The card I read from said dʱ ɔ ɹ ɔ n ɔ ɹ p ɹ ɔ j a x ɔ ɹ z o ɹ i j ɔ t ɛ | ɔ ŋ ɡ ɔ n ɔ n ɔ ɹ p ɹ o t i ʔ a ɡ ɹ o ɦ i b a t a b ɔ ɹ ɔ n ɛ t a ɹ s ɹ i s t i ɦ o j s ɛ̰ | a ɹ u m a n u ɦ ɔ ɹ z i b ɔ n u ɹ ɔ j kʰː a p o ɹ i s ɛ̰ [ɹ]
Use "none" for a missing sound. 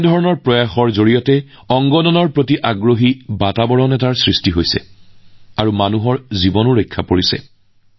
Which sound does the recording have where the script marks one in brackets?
none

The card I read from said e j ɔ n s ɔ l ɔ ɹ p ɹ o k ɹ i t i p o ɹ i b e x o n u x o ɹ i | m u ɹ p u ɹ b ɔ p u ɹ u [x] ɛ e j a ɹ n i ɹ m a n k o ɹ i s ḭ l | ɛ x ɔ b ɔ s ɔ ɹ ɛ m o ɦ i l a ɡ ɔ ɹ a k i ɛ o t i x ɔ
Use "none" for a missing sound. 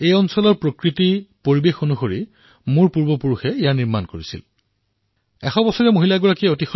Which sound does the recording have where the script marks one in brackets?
x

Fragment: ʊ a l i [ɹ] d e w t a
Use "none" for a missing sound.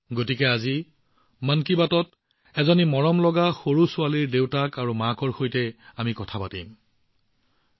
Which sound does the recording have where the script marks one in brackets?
ɹ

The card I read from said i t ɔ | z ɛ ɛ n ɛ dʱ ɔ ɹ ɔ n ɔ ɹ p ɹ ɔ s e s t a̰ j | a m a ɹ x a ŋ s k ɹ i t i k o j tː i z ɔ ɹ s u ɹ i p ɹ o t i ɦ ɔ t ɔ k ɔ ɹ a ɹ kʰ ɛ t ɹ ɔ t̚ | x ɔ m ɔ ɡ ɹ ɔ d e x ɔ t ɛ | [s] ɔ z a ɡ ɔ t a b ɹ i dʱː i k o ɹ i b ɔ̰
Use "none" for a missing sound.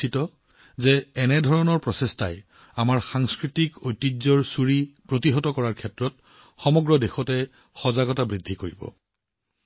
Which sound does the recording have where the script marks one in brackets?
x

